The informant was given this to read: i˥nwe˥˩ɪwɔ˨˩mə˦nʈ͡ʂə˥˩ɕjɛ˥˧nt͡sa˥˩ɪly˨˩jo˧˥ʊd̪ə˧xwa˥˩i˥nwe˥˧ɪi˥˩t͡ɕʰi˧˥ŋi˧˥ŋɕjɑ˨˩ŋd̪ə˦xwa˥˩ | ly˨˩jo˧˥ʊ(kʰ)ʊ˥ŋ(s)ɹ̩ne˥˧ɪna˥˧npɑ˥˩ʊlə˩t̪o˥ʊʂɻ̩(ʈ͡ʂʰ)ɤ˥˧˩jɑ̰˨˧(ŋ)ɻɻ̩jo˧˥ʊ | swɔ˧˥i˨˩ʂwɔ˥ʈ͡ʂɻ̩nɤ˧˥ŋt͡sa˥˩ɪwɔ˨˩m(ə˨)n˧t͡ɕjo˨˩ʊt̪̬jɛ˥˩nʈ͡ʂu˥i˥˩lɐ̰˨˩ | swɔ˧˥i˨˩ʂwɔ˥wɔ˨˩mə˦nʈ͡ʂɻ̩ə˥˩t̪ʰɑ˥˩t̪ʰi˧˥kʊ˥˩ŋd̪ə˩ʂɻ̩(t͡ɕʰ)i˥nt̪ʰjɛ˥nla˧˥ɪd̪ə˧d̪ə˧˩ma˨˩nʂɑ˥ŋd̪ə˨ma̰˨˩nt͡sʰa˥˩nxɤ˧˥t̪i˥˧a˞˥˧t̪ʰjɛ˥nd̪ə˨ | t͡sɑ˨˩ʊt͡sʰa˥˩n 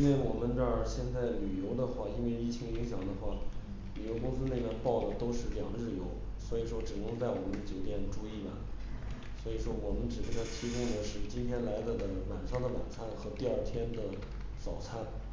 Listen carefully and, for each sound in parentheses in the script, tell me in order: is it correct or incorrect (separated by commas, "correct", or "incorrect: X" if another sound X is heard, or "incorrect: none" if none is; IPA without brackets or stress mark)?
incorrect: k, correct, incorrect: ʈ͡ʂ, correct, incorrect: ə˦, incorrect: t͡ɕ